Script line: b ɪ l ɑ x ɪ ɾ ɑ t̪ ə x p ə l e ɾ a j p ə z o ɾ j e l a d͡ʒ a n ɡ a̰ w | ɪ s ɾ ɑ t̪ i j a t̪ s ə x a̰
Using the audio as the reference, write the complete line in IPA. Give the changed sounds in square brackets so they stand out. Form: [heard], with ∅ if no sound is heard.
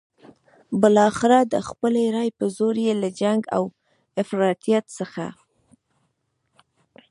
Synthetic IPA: b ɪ l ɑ x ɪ ɾ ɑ [d̪] ə x p ə l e ɾ [ɑ] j p ə z o ɾ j e l a d͡ʒ a [ŋ] ɡ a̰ w | ɪ [f] ɾ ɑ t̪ i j a t̪ s ə x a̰